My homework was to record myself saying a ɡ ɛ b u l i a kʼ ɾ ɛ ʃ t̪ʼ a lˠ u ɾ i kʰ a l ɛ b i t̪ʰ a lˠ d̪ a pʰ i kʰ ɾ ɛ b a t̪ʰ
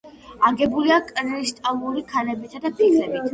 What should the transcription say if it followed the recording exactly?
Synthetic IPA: a ɡ ɛ b u l i a kʼ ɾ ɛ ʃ t̪ʼ a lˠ u ɾ i kʰ a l ɛ b i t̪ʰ a d̪ a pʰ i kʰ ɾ ɛ b i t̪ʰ

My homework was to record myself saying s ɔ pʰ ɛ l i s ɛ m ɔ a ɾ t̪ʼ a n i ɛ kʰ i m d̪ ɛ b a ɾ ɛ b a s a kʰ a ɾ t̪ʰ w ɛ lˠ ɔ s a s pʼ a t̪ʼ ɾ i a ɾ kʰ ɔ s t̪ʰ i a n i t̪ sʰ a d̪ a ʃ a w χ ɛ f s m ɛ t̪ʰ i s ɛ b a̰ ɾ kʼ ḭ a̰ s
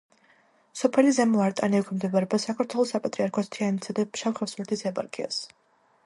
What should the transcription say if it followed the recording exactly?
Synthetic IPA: s ɔ pʰ ɛ l i z ɛ m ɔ a ɾ t̪ʼ a n i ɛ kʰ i m d̪ ɛ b a ɾ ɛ b a s a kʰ a ɾ t̪ʰ w ɛ lˠ ɔ s a pʼ a t̪ʼ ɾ i a ɾ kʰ ɔ s t̪ʰ i a n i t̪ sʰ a d̪ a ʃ a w χ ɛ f s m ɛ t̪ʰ i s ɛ b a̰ ɾ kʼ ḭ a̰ s

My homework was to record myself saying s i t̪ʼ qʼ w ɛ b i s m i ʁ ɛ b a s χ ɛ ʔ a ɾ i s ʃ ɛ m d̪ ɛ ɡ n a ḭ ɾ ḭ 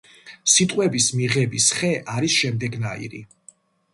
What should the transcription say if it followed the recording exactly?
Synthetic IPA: s i t̪ʼ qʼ w ɛ b i s m i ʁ ɛ b i s χ ɛ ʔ a ɾ i s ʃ ɛ m d̪ ɛ ɡ n a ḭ ɾ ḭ

